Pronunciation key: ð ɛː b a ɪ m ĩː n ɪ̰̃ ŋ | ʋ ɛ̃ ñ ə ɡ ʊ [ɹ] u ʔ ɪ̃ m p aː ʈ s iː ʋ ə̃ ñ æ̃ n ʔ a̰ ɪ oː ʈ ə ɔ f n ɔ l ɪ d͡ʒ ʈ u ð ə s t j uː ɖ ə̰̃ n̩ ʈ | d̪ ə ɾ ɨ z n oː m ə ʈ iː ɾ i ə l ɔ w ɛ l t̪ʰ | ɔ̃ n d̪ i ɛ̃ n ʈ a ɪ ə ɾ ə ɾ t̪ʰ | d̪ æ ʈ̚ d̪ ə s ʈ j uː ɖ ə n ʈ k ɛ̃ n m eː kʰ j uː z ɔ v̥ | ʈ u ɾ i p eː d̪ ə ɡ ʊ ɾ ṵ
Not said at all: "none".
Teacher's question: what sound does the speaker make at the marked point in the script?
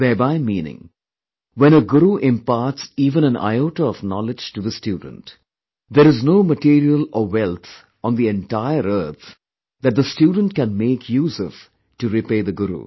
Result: ɾ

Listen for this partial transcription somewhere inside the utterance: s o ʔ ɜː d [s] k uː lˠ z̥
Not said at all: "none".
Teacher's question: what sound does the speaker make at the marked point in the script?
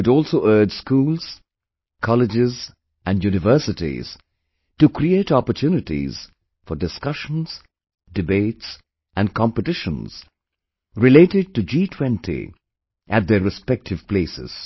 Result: s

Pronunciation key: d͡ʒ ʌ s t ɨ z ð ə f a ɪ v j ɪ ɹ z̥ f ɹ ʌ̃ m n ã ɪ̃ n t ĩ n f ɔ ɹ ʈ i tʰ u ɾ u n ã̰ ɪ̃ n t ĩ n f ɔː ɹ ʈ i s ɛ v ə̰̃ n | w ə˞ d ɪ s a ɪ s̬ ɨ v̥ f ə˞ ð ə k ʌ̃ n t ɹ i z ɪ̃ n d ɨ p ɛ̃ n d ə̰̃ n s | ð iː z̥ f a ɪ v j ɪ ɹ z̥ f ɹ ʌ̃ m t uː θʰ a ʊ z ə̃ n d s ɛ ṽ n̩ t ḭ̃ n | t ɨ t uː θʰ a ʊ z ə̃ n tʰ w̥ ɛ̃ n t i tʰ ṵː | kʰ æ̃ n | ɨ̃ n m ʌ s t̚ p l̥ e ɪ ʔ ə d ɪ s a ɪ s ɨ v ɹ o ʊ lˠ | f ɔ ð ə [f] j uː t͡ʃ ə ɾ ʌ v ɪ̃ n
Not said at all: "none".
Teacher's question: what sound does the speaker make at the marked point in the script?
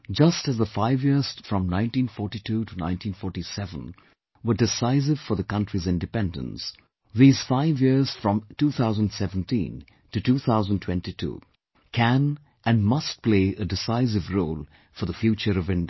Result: f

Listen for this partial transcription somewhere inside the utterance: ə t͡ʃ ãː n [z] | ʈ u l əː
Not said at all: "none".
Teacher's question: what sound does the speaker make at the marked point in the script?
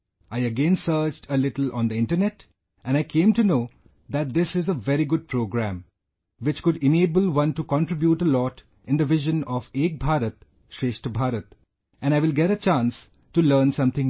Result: s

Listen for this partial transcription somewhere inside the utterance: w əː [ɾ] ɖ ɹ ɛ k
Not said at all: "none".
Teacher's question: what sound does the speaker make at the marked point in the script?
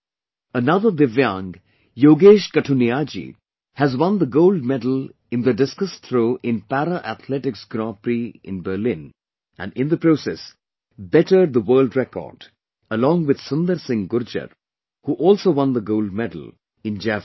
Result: l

